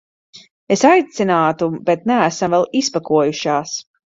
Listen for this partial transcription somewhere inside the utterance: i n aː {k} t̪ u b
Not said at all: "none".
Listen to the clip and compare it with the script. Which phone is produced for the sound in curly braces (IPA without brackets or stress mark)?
none